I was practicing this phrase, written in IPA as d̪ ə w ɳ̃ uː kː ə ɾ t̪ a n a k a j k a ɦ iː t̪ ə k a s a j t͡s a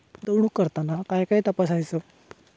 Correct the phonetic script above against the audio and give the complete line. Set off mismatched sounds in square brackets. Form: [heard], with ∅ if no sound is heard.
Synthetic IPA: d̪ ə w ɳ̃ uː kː ə ɾ t̪ a n a k a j k a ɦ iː t̪ ə [p] a s a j t͡s [ə]